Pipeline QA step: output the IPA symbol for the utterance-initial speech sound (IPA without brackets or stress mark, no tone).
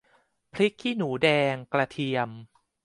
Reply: pʰ